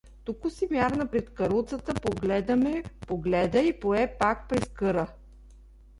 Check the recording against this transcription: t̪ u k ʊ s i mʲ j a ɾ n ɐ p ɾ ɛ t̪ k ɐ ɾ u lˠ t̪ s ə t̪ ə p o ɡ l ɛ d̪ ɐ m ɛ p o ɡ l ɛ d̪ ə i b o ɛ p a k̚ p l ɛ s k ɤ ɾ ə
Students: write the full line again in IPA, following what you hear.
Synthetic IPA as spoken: t̪ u k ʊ s i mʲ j a ɾ n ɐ p ɾ ɛ t̪ k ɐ ɾ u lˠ t̪ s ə t̪ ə p o ɡ l ɛ d̪ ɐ m ɛ p o ɡ l ɛ d̪ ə i p o ɛ p a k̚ p ɾ ɛ s k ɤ ɾ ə